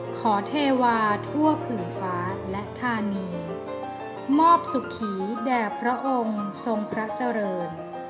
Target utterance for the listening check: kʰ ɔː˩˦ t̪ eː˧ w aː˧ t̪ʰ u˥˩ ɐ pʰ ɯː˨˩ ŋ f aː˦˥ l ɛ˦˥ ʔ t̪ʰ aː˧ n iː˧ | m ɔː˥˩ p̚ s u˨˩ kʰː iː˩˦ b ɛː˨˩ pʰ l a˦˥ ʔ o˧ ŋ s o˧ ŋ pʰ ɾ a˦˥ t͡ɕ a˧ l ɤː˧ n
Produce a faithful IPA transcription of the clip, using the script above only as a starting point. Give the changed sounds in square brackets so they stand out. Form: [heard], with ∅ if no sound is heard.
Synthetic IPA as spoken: kʰ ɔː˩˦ [t̪ʰ] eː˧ w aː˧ t̪ʰ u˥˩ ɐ pʰ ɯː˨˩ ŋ f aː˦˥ l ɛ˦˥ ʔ t̪ʰ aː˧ n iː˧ | m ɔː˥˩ p̚ s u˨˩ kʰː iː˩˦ [d] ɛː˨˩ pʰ [ɾ] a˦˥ ʔ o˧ ŋ s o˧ ŋ pʰ ɾ a˦˥ t͡ɕ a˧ [ɾ] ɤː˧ n